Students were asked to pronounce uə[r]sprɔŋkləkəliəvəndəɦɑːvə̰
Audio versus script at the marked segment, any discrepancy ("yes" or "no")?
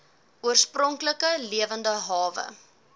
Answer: no